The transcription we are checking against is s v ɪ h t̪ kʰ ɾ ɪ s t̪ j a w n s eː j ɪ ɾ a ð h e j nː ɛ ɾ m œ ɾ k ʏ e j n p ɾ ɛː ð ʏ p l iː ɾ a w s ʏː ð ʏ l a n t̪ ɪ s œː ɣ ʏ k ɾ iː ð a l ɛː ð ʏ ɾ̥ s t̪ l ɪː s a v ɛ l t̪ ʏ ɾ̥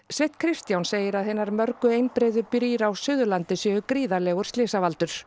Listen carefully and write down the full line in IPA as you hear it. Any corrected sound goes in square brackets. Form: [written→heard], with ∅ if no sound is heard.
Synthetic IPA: s v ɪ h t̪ kʰ ɾ ɪ s t̪ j a w n s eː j ɪ ɾ a ð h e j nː [ɛ→a] ɾ m œ ɾ k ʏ e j n p ɾ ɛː ð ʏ p [l→ɾ] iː ɾ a w s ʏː ð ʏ l a n t̪ ɪ s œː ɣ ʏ k ɾ iː ð a l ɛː [ð→ɣ] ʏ ɾ̥ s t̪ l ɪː s a v [ɛ→a] l t̪ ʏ ɾ̥